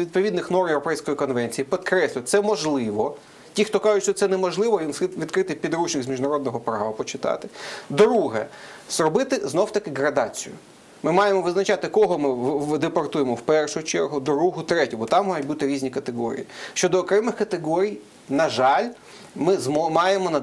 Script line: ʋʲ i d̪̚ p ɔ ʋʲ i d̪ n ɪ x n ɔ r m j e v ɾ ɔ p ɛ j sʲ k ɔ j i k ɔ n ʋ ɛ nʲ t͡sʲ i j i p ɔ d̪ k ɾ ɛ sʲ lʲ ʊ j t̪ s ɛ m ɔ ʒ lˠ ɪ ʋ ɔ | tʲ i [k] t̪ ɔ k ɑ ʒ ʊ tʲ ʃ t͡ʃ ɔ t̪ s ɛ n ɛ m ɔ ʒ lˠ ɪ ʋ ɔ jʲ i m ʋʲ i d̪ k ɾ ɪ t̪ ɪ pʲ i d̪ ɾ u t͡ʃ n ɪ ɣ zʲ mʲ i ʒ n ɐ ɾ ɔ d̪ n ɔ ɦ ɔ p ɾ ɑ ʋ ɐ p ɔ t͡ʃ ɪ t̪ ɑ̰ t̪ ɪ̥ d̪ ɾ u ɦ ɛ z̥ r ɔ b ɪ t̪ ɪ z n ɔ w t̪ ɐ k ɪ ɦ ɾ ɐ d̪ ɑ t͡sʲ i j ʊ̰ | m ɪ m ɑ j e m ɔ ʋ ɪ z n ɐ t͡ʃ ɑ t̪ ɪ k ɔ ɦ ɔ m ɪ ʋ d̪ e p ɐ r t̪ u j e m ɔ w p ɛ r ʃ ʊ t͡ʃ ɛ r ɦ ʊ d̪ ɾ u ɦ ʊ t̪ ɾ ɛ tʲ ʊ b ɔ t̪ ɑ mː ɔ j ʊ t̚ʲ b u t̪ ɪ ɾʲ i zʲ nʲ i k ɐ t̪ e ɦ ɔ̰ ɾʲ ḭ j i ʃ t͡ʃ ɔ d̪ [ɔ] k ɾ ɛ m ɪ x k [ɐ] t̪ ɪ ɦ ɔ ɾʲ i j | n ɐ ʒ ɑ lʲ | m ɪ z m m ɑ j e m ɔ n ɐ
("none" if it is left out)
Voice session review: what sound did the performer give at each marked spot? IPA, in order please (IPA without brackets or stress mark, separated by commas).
x, ɔː, ɐ